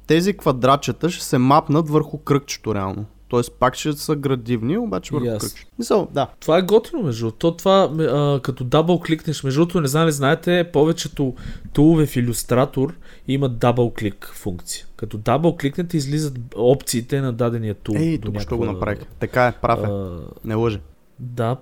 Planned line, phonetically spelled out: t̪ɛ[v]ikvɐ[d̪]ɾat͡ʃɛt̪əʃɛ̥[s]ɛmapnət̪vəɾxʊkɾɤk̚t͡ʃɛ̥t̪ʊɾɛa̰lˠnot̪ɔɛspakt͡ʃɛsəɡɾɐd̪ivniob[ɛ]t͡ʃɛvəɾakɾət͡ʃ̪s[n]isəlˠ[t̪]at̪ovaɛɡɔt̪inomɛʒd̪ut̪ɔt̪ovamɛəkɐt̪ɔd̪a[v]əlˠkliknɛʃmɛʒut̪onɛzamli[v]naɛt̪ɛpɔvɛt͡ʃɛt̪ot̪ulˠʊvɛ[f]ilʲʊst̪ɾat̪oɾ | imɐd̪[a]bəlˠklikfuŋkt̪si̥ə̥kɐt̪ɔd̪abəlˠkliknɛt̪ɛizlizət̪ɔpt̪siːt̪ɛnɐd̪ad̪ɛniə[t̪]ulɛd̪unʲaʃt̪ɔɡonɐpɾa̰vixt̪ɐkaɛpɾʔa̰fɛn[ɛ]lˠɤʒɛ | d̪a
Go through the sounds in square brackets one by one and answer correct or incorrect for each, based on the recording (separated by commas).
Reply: incorrect, correct, correct, incorrect, incorrect, incorrect, incorrect, incorrect, correct, correct, correct, correct